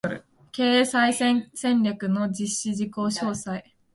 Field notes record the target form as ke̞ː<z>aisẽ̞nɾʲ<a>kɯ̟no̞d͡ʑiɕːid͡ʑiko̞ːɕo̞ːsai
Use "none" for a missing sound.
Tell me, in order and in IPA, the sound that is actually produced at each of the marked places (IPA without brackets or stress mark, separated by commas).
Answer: s, a